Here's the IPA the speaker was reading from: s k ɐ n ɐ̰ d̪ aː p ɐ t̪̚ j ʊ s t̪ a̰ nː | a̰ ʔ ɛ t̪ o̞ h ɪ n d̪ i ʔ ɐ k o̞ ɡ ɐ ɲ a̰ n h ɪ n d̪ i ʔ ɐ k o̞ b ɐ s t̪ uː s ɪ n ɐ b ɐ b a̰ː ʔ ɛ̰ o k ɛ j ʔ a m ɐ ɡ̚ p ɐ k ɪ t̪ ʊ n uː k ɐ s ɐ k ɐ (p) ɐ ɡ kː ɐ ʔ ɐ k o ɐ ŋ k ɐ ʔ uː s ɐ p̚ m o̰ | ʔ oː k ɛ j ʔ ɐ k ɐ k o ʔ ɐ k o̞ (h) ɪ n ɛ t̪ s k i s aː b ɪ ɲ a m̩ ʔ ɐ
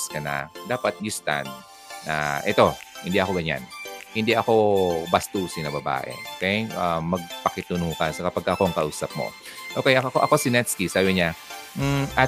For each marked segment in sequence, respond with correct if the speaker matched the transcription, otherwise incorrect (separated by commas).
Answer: correct, incorrect